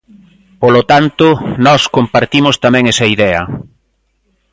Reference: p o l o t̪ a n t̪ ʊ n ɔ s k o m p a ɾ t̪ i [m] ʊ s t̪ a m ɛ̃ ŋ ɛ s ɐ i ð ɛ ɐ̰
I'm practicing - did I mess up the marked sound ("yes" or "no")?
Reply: no